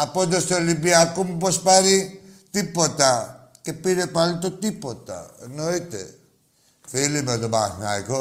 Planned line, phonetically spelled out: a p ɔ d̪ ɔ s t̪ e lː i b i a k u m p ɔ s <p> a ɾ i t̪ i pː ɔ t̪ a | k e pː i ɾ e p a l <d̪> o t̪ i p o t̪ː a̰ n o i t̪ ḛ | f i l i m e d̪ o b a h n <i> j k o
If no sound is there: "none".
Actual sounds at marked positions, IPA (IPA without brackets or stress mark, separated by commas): p, t̪, a